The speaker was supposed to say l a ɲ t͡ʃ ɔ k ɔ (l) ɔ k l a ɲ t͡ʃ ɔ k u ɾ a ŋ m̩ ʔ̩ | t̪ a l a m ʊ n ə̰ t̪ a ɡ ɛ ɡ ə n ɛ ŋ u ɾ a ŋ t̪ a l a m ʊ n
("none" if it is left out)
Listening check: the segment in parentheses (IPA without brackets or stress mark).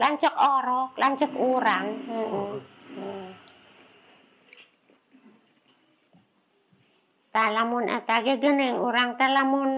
ɾ